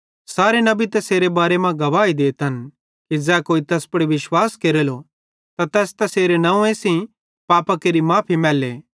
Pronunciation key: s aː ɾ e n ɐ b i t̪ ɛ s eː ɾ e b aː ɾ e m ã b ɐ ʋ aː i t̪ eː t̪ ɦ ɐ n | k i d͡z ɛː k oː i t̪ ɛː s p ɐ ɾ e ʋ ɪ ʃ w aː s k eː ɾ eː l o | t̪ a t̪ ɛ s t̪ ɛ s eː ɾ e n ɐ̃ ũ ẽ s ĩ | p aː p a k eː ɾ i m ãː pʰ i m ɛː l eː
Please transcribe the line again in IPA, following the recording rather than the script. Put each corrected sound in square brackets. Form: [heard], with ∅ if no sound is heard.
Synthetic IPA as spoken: s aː ɾ e n ɐ b i t̪ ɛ s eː ɾ e b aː ɾ e m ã [ɡ] ɐ ʋ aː i [d̪] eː t̪ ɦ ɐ n | k i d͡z ɛː k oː i t̪ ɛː s p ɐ [ɽ] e ʋ ɪ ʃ w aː s k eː ɾ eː l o | t̪ a t̪ [ɛː] s t̪ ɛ s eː ɾ e n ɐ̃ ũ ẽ s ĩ | p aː p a k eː ɾ i m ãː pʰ i m ɛː l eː